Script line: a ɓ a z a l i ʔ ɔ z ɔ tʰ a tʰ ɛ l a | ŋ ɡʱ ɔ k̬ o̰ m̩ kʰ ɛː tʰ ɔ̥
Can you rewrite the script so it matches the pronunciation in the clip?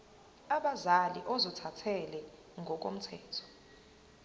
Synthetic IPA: a ɓ a z a l i ʔ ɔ z ɔ tʰ a tʰ ɛ l ɛ | ŋ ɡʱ ɔ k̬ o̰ m̩ tʰ ɛː tʰ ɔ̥